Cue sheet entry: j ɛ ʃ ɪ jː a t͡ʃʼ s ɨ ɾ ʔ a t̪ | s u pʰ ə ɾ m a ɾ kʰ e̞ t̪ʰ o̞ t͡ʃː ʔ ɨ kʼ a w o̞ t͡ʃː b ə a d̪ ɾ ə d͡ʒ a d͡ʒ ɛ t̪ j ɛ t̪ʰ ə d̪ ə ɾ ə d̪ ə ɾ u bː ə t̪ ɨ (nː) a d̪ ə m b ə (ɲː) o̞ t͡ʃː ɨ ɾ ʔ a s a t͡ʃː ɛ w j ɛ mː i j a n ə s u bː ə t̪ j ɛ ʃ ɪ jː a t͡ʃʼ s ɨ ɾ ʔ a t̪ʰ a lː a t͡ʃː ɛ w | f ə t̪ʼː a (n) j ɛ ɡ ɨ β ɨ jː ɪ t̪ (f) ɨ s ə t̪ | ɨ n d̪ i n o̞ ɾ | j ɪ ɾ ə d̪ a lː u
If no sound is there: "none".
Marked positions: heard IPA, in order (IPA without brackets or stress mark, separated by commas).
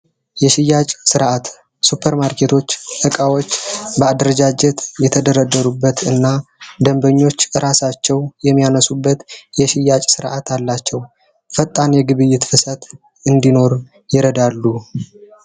nː, ɲː, n, f